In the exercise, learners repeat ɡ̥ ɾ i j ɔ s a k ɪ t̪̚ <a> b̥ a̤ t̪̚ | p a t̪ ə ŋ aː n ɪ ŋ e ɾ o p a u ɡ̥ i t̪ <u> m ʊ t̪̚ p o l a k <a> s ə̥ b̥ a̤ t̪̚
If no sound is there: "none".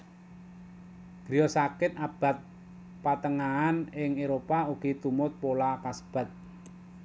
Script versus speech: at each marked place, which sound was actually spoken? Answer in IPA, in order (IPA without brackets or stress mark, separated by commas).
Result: a, u, a